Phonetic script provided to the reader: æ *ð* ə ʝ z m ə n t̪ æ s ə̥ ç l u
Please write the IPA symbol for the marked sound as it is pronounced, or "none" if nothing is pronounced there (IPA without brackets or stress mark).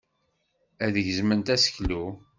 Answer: ð